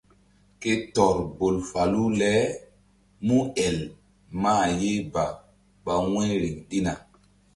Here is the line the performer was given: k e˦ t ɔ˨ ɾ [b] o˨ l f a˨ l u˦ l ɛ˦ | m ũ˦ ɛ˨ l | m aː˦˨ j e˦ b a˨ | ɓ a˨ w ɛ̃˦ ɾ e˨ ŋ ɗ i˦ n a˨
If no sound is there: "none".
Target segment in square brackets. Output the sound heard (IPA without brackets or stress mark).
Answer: b